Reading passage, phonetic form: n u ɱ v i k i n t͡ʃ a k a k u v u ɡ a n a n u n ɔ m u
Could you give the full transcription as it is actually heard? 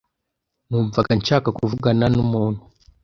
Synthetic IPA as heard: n u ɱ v a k a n t͡ʃ a k a k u v u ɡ a n a n u m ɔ n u